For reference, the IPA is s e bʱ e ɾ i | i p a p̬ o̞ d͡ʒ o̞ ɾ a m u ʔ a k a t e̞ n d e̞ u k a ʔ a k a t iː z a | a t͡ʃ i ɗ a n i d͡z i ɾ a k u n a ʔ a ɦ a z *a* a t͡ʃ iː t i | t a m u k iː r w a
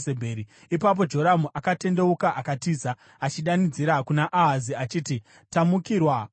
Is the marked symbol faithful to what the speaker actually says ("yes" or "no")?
no